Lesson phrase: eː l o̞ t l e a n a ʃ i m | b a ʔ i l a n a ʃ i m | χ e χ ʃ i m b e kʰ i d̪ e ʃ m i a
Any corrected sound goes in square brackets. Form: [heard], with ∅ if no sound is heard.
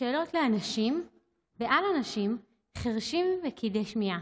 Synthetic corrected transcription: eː l o̞ t l e a n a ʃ i m | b [e] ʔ [a] l a n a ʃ i m | χ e [ʁ] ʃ i m [v] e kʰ i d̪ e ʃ m i a